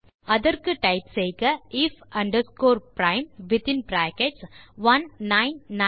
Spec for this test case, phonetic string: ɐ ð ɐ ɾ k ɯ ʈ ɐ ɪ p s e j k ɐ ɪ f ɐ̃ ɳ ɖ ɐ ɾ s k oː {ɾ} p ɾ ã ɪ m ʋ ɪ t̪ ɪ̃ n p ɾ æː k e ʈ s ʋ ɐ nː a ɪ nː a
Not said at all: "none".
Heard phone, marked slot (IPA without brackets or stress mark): ɾ